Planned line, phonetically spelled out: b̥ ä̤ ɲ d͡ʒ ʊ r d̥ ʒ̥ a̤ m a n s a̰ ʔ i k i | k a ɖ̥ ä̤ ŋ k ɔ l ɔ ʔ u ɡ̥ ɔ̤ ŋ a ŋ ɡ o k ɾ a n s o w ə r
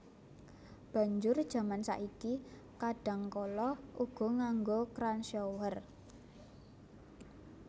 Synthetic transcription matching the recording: b̥ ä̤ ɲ d͡ʒ ʊ r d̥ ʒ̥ a̤ m a n s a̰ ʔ i k i | k a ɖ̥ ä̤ ŋ k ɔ l ɔ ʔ u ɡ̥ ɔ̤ ŋ a ŋ ɡ o k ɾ a n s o w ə r